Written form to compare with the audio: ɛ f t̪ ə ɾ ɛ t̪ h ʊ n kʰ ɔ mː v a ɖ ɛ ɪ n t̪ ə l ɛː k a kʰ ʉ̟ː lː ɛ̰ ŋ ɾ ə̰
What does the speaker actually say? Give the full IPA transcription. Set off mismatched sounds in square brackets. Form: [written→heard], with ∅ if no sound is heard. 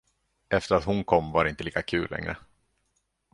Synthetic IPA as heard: ɛ f t̪ ə ɾ [ɛ→a] t̪ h ʊ n kʰ ɔ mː v a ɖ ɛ ɪ n t̪ ə l [ɛː→iː] k a kʰ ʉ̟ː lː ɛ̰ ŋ ɾ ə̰